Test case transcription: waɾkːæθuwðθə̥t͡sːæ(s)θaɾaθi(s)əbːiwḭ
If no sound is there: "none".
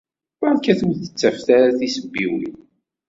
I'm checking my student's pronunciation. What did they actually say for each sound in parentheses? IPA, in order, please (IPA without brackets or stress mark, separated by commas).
f, s